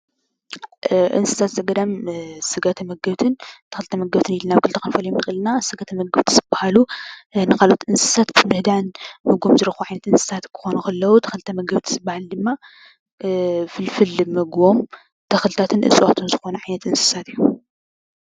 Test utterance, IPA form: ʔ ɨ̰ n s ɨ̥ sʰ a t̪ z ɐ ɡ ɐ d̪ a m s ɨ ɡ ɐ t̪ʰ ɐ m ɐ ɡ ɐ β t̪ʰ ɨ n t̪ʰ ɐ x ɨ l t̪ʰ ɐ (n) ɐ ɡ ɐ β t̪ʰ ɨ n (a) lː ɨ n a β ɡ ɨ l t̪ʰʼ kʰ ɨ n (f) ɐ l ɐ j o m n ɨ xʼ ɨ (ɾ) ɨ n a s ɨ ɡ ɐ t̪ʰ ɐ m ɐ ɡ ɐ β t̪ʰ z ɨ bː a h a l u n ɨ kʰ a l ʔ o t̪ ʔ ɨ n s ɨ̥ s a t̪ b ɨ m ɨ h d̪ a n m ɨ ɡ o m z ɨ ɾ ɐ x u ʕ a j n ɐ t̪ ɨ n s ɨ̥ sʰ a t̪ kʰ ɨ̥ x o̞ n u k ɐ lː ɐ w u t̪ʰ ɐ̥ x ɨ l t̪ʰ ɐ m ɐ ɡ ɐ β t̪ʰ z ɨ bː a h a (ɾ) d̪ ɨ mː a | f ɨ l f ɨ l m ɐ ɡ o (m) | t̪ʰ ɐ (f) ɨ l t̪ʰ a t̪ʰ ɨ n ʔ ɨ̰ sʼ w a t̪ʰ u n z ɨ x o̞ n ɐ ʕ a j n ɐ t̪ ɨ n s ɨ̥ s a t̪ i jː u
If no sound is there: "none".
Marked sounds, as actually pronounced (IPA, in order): m, i, f, l, l, m, x

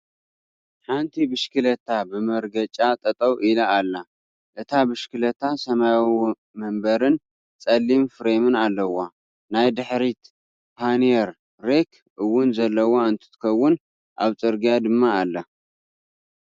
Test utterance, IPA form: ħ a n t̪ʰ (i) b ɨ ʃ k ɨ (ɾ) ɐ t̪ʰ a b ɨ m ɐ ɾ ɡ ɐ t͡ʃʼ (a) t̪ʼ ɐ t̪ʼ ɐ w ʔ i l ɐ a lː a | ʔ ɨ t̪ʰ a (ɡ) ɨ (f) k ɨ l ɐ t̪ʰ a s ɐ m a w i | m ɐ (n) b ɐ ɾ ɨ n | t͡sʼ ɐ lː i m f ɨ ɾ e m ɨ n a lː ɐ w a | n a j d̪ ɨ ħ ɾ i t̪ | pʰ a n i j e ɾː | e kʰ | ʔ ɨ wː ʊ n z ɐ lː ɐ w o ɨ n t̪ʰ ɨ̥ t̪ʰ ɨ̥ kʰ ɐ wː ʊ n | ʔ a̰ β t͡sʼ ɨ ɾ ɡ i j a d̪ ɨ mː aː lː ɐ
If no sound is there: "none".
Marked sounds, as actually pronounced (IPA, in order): i, l, a, b, ʃ, m

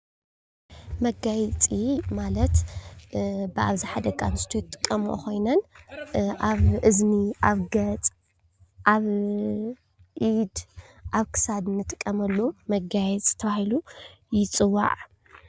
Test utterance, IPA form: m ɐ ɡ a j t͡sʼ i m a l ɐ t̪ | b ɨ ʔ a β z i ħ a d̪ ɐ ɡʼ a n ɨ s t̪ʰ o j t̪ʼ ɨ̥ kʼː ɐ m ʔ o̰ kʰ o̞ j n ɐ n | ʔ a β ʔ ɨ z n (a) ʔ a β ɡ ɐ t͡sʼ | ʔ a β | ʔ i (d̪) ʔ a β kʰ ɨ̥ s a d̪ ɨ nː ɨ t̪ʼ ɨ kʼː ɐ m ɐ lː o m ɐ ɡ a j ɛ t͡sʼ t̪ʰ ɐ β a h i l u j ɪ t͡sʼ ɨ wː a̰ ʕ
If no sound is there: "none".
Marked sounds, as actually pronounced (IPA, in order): i, d̪

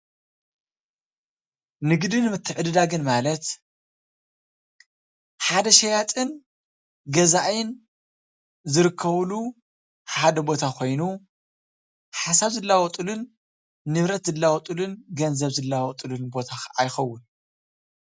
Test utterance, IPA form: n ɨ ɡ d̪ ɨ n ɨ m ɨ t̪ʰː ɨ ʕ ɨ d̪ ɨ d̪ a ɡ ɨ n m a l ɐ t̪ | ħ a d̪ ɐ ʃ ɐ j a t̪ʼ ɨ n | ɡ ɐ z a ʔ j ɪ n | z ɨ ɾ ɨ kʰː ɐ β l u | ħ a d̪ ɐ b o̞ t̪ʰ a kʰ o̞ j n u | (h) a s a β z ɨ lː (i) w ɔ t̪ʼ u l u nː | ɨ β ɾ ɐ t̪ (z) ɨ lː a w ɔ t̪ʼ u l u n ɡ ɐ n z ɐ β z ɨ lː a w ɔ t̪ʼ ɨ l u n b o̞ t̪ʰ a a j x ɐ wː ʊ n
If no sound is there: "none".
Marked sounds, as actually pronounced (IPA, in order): ħ, a, z

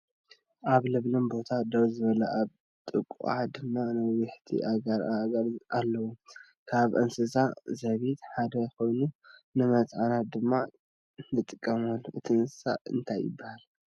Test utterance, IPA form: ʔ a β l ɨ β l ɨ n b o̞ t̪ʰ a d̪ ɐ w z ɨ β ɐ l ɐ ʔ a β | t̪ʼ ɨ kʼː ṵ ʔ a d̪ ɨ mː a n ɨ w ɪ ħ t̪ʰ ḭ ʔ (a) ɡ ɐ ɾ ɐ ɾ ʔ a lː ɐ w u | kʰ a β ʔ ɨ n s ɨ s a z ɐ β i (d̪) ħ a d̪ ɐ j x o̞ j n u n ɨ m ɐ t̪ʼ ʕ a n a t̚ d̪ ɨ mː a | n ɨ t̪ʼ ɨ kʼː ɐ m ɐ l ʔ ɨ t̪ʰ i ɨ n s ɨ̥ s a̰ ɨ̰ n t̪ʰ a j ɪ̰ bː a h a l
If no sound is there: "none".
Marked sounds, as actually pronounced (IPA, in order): a, t̪

